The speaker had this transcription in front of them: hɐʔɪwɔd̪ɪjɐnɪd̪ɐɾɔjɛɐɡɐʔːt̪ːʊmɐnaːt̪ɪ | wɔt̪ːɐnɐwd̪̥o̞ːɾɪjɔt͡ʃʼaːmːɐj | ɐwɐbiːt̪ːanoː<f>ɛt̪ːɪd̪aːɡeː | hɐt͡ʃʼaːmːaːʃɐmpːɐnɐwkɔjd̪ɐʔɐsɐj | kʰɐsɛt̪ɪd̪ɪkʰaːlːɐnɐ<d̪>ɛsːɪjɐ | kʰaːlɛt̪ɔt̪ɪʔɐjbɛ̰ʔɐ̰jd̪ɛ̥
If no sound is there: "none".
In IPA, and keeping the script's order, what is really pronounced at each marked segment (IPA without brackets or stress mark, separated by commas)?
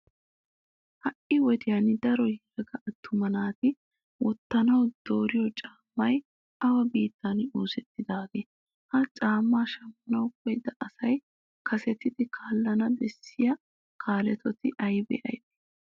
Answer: s, d̪